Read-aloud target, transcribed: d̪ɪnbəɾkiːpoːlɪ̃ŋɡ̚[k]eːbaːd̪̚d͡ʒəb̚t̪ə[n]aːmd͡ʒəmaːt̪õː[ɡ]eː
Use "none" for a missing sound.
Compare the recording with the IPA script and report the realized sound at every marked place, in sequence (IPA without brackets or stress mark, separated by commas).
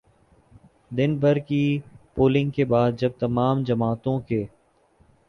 k, m, k